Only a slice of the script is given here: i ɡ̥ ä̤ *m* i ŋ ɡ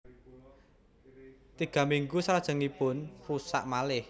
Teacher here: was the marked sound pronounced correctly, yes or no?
yes